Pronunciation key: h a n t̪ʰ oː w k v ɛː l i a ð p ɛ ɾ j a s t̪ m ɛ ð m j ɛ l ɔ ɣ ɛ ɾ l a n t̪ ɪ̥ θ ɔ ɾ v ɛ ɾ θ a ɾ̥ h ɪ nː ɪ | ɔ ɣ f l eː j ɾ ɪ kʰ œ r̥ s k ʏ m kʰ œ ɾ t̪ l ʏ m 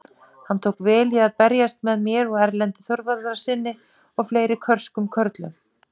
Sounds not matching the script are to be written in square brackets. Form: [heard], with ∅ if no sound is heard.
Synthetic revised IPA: h a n t̪ʰ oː w k v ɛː l i a ð p ɛ ɾ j a s t̪ m ɛ ð m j ɛ [ɾ] ɔ ɣ ɛ ɾ l [ɛ] n t̪ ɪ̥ θ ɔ ɾ v [a] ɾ [ð] a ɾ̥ [s] ɪ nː ɪ | ɔ ɣ f l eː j ɾ ɪ kʰ œ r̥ s k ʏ m kʰ œ ɾ t̪ l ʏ m